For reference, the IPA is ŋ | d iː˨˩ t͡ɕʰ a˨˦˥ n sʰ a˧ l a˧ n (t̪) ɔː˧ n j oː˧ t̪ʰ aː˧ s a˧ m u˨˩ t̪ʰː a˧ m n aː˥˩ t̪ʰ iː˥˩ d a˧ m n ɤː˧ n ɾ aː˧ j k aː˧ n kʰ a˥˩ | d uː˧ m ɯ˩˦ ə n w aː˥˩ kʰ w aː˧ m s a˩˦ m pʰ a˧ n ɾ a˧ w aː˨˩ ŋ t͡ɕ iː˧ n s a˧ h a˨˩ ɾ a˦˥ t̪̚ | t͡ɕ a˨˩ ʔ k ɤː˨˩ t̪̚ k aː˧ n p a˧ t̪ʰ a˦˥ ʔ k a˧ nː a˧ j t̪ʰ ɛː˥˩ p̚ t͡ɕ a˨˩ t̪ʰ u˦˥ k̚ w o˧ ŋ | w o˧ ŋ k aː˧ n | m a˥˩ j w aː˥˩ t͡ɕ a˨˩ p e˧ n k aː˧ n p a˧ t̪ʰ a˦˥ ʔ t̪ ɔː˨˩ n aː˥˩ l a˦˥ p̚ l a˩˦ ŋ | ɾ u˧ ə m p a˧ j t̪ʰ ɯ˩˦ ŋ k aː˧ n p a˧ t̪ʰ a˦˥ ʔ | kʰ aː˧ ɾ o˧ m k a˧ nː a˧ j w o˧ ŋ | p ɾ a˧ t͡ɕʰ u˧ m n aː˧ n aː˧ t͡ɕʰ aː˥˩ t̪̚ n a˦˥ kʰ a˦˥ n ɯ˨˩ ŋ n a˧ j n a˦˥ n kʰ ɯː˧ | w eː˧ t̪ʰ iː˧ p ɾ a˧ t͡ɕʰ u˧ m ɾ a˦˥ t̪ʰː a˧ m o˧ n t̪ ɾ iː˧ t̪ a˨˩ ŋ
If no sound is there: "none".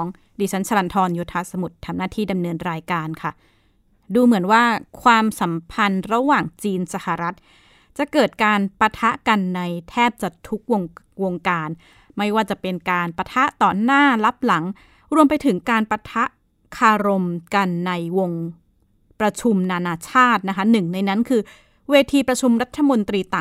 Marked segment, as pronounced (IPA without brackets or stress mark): t̪ʰ